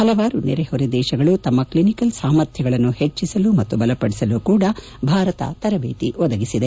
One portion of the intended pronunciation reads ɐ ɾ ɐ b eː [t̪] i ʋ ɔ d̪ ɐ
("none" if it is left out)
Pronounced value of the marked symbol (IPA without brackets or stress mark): t̪